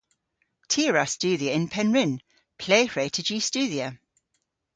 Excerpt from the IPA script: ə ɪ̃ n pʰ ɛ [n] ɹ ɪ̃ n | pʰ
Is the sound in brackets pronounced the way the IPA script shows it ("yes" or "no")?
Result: yes